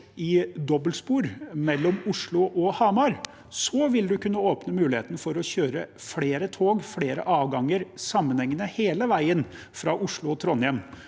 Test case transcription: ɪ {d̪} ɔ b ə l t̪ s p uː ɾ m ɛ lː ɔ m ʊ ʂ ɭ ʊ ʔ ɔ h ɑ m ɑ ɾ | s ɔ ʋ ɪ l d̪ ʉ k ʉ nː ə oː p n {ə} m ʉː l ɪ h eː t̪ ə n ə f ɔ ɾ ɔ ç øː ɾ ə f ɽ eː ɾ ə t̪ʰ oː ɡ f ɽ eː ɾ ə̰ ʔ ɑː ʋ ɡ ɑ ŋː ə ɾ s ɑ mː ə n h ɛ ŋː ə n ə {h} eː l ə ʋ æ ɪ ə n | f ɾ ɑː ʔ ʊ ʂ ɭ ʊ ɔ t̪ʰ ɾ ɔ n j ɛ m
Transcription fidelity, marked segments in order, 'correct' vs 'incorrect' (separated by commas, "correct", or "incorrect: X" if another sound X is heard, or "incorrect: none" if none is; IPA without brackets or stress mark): correct, correct, correct